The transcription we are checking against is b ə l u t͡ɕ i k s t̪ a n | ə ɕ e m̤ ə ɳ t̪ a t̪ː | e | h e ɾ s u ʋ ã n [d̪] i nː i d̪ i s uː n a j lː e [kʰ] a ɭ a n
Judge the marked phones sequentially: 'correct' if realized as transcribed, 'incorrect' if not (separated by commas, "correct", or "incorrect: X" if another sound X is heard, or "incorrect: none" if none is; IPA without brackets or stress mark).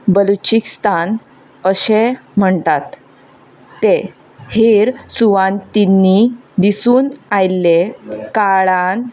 incorrect: t̪, incorrect: k